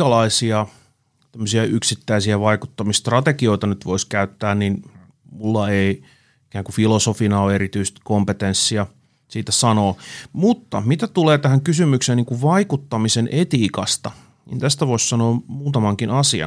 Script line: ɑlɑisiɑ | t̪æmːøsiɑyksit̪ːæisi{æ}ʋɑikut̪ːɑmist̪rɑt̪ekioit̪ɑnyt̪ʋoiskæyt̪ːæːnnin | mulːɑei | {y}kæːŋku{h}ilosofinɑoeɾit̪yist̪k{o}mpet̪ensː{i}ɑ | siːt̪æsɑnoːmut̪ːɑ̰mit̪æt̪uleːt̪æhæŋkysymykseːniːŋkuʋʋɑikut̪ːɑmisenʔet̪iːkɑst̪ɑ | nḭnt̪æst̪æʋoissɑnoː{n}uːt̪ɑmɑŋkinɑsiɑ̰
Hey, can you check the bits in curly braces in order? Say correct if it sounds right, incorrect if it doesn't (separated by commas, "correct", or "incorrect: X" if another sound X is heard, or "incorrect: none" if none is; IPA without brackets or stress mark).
correct, incorrect: i, incorrect: f, correct, correct, incorrect: m